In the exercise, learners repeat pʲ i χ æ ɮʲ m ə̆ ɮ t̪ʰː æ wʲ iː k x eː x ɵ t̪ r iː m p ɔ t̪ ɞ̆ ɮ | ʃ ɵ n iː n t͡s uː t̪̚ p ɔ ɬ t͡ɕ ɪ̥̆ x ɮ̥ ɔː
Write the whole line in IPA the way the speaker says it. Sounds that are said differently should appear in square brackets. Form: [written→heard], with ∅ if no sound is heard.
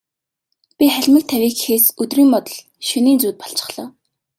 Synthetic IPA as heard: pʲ i χ æ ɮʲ m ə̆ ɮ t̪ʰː æ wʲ iː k x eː [x→s] ɵ t̪ r iː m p ɔ t̪ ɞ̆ ɮ | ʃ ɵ n iː n t͡s uː t̪̚ p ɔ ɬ t͡ɕ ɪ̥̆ [x→χ] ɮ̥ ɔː